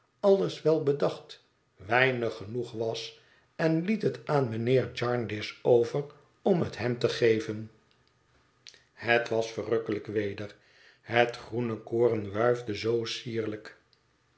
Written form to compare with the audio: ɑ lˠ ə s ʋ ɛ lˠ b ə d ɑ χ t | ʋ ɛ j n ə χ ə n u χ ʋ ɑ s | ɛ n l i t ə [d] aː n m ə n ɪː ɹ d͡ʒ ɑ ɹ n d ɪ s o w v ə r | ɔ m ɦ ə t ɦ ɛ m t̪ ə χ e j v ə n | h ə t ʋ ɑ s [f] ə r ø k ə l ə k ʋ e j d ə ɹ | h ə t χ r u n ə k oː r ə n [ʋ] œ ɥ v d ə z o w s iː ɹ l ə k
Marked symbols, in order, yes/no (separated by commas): no, yes, yes